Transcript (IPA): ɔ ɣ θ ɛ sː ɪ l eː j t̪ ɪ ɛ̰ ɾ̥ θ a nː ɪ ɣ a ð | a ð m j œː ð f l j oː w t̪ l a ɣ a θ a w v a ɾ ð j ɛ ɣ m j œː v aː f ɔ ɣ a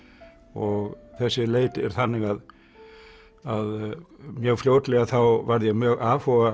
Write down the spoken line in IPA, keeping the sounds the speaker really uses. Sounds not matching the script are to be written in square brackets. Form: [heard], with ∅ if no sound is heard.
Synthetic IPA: ɔ ɣ θ ɛ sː ɪ l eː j t̪ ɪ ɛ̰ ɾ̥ θ a nː ɪ ɣ a ð | a ð m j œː [ɣ] f l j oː w t̪ l [ɛ] ɣ a θ a w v a ɾ ð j ɛ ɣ m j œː [ɣ] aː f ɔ ɣ a